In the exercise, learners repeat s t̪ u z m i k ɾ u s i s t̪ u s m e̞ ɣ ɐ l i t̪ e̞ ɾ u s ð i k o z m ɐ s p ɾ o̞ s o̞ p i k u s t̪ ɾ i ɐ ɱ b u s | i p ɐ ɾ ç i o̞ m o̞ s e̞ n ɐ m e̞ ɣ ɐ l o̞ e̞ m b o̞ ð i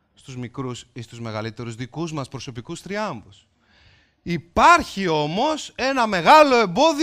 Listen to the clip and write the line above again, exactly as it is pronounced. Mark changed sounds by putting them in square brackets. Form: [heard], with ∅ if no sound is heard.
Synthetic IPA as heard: s t̪ u z m i k ɾ u s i s t̪ u [z] m e̞ ɣ ɐ l i t̪ e̞ ɾ u [z] ð i k [u] z m ɐ s p ɾ o̞ s o̞ p i k u s t̪ ɾ i ɐ ɱ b u s | i p ɐ ɾ ç i o̞ m o̞ s e̞ n ɐ m e̞ ɣ ɐ l o̞ e̞ m b o̞ ð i